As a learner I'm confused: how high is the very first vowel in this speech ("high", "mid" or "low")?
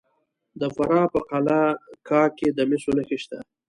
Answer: mid